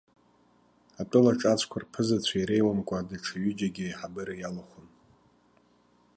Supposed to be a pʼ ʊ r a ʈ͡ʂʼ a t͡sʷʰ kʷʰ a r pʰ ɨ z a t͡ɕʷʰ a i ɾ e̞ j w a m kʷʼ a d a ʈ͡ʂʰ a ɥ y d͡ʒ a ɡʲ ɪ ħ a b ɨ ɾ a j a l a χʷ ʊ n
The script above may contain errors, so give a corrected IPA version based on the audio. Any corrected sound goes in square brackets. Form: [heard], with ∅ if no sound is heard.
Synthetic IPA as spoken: a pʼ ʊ [l] a ʈ͡ʂʼ a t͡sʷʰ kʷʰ a r pʰ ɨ z a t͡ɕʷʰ a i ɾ e̞ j w a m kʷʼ a d a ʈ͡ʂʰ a ɥ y d͡ʒ a ɡʲ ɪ ħ a b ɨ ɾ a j a l a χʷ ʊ n